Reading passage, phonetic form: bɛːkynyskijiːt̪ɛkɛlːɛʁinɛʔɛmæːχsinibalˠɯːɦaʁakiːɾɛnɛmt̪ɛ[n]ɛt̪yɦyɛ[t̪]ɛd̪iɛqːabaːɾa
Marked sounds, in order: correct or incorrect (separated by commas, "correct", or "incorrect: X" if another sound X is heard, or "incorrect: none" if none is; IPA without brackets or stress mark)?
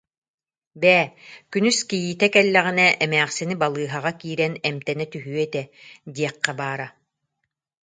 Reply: correct, correct